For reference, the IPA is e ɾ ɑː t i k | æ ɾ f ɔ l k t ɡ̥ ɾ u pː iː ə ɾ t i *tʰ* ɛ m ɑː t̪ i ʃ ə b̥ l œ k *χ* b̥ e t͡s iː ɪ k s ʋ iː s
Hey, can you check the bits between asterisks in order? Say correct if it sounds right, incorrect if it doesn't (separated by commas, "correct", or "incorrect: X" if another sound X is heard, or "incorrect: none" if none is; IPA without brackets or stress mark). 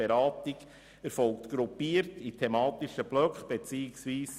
correct, correct